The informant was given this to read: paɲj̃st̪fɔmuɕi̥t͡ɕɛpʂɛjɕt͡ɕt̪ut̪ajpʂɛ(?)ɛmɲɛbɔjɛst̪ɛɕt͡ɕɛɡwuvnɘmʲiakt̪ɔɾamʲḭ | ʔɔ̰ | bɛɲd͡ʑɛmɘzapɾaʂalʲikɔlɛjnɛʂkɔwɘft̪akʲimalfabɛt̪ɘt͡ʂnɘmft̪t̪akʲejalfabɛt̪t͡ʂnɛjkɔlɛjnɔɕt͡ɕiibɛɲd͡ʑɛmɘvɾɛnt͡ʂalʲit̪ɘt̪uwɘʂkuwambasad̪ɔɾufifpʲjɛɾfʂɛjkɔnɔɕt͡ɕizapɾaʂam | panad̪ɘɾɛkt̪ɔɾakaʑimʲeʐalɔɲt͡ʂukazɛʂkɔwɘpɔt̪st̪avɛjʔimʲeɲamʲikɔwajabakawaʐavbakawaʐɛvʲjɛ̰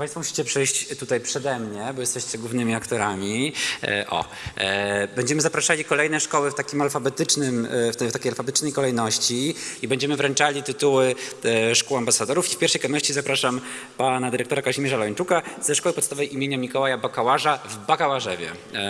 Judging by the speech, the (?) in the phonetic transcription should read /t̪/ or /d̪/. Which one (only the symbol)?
d̪